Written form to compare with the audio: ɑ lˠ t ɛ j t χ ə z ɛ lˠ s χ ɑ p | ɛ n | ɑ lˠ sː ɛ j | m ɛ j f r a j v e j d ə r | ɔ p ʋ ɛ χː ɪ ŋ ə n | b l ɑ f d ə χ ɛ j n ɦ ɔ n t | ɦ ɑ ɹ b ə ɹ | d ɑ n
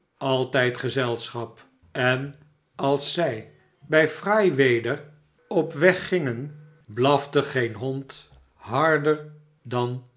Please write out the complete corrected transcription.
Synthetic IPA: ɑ lˠ t ɛ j t χ ə z ɛ lˠ s χ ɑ p | ɛ n | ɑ lˠ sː ɛ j | b ɛ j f r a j ʋ e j d ə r | ɔ p ʋ ɛ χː ɪ ŋ ə n | b l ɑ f d ə χ e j n ɦ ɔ n t | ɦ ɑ ɹ d ə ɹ | d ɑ n